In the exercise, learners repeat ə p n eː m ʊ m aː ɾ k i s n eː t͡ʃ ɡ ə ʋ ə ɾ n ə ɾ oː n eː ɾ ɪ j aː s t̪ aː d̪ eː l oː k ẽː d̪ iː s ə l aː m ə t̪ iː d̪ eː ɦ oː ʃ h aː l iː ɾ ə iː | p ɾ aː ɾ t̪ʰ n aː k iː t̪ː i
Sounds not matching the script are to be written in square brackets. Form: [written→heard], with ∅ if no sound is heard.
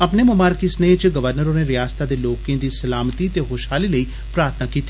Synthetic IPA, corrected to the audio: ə p n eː m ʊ m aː ɾ k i s n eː t͡ʃ ɡ ə ʋ ə ɾ n ə ɾ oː n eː ɾ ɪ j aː s t̪ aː d̪ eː l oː k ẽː d̪ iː s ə l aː m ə t̪ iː [d̪→t̪] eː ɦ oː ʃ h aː l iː [ɾ→l] ə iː | p ɾ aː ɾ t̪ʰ n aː k iː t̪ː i